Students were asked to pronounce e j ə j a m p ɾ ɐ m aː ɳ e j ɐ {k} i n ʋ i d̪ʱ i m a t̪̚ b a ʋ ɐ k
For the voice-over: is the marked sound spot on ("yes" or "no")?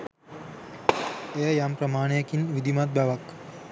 yes